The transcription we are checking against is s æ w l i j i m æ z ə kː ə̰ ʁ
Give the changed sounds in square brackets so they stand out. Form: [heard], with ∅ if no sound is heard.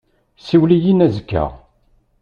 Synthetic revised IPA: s [i] w l i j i [n] æ z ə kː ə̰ ʁ